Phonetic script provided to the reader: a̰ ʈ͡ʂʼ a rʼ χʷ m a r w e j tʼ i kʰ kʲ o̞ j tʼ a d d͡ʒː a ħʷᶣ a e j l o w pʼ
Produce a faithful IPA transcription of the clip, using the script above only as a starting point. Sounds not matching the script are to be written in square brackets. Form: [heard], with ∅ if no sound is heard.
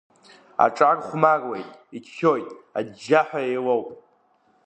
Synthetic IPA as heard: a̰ ʈ͡ʂʼ a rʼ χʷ m a r w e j tʼ i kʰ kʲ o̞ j tʼ a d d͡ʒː a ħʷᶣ a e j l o w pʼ